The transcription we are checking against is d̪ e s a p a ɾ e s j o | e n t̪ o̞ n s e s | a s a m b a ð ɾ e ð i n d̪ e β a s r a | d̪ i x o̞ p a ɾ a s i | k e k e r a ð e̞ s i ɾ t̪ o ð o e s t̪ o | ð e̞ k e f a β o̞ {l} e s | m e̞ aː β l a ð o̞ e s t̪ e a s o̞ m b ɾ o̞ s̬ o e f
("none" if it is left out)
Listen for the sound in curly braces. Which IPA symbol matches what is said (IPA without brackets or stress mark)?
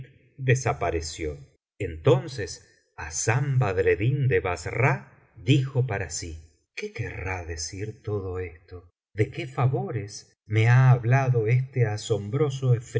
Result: ɾ